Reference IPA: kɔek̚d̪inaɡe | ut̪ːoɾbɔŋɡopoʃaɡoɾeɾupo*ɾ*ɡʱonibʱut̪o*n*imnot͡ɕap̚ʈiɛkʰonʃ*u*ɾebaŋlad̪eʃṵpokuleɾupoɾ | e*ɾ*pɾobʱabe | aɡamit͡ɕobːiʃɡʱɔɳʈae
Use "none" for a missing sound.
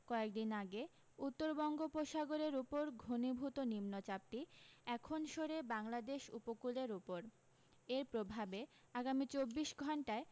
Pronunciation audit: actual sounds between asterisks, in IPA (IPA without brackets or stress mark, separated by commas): ɾ, n, o, ɾ